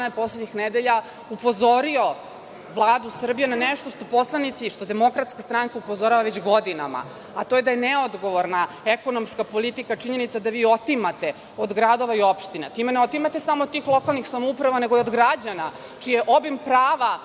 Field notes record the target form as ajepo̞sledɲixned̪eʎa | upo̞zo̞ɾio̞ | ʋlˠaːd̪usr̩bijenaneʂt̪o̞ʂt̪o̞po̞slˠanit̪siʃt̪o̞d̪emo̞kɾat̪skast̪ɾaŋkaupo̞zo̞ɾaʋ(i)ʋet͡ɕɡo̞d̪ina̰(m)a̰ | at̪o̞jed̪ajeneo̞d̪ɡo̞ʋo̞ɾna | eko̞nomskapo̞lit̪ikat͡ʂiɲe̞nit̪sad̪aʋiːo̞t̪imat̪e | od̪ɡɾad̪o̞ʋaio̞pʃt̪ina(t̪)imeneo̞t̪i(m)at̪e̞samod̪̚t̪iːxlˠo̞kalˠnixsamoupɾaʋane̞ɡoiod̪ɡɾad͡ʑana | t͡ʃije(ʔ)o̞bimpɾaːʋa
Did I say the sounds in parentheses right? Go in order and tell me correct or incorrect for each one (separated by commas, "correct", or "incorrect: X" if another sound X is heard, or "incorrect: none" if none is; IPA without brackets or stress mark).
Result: incorrect: a, correct, correct, correct, correct